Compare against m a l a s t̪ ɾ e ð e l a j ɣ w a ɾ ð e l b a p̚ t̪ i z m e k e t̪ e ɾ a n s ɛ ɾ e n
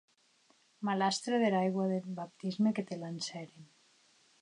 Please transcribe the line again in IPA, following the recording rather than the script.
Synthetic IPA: m a l a s t̪ ɾ e ð e l a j ɣ w a ð e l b a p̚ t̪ i z m e k e t̪ e l a n s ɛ ɾ e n

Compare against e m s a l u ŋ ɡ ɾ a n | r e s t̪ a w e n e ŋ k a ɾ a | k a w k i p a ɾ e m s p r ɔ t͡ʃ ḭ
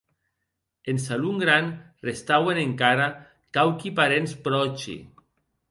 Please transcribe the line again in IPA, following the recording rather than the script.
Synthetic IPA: e n s a l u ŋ ɡ ɾ a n | r e s t̪ a w e n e ŋ k a ɾ a | k a w k i p a ɾ e n s p ɾ ɔ t͡ʃ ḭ

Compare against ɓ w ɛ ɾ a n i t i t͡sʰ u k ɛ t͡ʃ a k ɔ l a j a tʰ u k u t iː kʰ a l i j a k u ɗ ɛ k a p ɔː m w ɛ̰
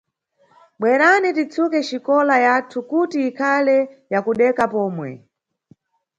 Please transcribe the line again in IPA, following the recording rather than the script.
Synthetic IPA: ɓ w ɛ ɾ a n i t i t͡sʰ u k ɛ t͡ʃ i k ɔ l a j a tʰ u k u t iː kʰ a l ɛ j a k u ɗ ɛ k a p ɔː m w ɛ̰

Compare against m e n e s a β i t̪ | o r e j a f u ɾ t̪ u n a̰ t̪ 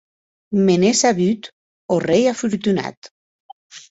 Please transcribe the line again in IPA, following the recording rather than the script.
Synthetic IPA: m e n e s a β y t̪ | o r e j a f u ɾ t̪ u n a̰ t̪

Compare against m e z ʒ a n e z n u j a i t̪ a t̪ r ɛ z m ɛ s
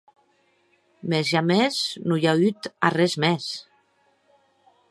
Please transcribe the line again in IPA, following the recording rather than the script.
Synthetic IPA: m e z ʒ a m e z n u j a y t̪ a r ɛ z m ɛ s

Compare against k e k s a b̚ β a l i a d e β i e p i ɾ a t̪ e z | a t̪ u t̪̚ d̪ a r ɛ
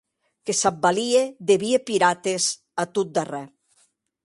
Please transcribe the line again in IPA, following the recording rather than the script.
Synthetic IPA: k e s a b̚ b a l i e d e β i e p i ɾ a t̪ e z | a t̪ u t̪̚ d̪ a r ɛ

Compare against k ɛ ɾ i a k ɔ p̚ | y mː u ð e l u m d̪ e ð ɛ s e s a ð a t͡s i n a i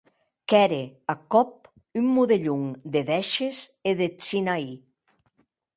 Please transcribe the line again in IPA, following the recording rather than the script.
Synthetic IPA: k ɛ ɾ e a k ɔ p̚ | y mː u ð e ʎ u ŋ d̪ e ð ɛ ʃ e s e ð e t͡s i n a i

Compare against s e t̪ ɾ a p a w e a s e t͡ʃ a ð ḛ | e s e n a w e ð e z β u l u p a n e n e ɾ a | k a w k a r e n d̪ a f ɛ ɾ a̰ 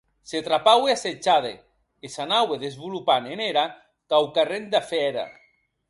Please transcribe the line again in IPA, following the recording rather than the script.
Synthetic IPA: s e t̪ ɾ a p a w e a s e t͡ʃ a ð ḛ | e s a n a w e ð e z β u l u p a n e n e ɾ a | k a w k a r e n d̪ a f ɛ ɾ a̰

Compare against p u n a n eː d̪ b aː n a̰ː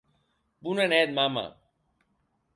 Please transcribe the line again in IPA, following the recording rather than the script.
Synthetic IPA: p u n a n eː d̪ m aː m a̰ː

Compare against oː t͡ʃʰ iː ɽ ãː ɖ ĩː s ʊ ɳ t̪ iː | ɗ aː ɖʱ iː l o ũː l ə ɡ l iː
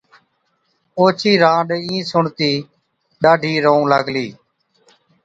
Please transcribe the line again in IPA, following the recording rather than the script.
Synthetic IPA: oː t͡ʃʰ iː ɾ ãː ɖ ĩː s ʊ ɳ t̪ iː | ɗ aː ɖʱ iː ɾ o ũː l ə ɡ l iː

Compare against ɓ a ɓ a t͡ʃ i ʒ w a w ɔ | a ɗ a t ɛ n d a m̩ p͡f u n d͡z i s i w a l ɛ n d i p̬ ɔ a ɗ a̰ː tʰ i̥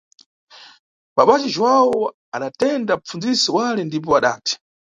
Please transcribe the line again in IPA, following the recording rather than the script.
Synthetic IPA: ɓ a ɓ a t͡ʃ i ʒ w a w ɔ | a ɗ a t ɛ n d a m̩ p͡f u n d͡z i s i w a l ɛ n d i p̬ ɔ a ɗ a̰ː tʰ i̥

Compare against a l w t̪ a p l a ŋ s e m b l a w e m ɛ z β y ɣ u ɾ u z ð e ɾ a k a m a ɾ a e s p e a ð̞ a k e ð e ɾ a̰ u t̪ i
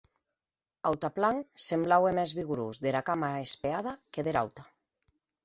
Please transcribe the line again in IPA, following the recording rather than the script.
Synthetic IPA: a w t̪ a p l a ŋ s e m b l a w e m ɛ z β i ɣ u ɾ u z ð e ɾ a k a m a ɾ a e s p e a ð̞ a k e ð e ɾ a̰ w t̪ a

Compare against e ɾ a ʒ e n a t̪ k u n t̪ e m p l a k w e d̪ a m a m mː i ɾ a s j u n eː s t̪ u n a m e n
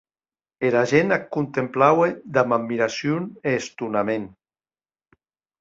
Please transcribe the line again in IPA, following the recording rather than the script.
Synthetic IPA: e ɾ a ʒ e n a k u n t̪ e m p l a w e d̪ a m a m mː i ɾ a s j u n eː s t̪ u n a m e n

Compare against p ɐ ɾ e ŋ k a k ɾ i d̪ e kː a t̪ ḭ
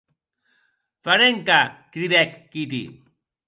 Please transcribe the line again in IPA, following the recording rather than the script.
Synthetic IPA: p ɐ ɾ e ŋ k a k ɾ i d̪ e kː i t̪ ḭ

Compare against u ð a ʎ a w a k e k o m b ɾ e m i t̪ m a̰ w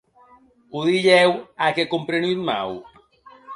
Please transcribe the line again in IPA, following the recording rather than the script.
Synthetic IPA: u ð i ʎ ɛ w a k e k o m p ɾ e n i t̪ m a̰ w

